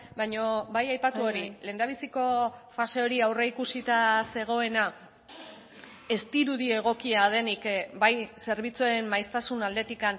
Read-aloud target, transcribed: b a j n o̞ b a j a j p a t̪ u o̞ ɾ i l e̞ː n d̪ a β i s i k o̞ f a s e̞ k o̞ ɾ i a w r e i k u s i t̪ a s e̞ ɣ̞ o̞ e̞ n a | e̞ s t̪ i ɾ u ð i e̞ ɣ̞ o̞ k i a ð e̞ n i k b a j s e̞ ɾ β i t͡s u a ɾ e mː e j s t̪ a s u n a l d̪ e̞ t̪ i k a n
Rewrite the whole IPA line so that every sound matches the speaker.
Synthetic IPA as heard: b a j ɲ o̞ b a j a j p a t̪ u o̞ ɾ i l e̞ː n d̪ a β i s i k o̞ f a s e̞ o̞ ɾ i a w r e i k u s i t̪ a s e̞ ɣ̞ o̞ e̞ n a | e̞ s t̪ i ɾ u ð i e̞ ɣ̞ o̞ k i a ð e̞ n i k b a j s e̞ ɾ β i t͡s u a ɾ e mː a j s t̪ a s u n a l d̪ e̞ t̪ i k a n